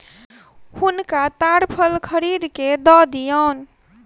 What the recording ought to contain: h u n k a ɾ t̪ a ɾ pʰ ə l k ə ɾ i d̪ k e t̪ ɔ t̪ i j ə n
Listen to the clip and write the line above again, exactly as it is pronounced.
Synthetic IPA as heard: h u n k a t̪ a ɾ pʰ ə l kʰ ə ɾ i d̪ k e d̪ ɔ d̪ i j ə n